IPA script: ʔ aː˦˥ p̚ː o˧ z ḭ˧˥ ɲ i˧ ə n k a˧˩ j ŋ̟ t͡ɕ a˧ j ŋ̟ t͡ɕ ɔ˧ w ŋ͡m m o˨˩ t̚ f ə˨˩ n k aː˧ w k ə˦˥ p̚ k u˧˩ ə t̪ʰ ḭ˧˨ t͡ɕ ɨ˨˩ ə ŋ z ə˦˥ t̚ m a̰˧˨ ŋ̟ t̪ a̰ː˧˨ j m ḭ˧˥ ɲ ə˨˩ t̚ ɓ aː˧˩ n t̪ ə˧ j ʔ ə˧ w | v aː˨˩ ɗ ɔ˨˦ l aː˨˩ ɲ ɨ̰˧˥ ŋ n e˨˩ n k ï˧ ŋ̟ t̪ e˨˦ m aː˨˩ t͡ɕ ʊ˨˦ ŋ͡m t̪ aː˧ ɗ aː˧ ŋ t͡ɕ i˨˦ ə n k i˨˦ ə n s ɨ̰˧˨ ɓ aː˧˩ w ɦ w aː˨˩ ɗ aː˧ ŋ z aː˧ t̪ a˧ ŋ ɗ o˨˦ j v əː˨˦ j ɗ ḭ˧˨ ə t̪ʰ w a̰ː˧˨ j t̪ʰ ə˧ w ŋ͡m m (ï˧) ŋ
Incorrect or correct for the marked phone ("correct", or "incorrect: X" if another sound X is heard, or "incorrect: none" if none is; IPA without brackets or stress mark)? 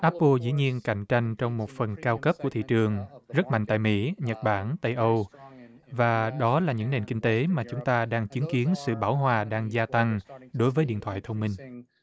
correct